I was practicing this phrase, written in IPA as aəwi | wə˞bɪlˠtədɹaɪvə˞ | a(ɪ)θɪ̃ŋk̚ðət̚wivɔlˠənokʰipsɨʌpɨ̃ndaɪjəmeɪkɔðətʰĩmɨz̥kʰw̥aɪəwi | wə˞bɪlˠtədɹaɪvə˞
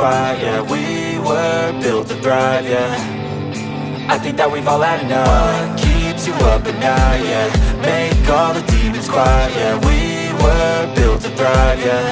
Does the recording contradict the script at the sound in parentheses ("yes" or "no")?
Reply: no